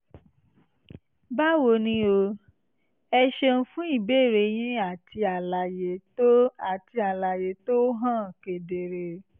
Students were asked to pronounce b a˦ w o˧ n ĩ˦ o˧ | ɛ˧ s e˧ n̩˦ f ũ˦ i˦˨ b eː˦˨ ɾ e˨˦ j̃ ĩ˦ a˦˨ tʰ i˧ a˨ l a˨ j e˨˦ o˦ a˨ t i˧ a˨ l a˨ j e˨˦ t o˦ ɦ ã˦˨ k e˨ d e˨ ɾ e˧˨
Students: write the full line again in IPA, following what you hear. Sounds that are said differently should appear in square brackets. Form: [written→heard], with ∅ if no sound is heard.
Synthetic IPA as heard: b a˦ w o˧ n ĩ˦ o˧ | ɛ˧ [s→ʃ] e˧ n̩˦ f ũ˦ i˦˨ b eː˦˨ ɾ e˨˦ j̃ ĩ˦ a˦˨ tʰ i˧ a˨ l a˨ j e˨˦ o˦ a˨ t i˧ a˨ l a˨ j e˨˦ t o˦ ɦ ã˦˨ k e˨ d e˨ ɾ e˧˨

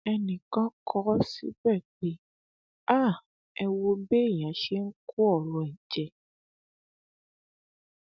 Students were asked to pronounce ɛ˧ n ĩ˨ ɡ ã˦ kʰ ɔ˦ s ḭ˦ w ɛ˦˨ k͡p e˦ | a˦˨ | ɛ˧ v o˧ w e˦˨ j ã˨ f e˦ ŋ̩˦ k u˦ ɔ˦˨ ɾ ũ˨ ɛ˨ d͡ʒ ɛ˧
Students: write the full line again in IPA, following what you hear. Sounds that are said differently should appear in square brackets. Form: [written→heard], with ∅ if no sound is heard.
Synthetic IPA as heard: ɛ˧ n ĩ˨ [ɡ→k] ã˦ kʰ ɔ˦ s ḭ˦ [w→b] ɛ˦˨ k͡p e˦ | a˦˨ | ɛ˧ [v→w] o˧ [w→b] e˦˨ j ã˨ [f→ʃ] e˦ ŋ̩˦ k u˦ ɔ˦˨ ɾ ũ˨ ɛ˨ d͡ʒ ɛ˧

